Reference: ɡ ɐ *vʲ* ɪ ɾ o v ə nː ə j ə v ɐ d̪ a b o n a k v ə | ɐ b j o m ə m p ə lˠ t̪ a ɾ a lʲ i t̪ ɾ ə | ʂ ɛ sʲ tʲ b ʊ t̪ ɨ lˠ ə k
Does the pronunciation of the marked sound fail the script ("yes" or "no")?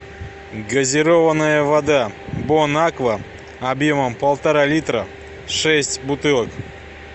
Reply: yes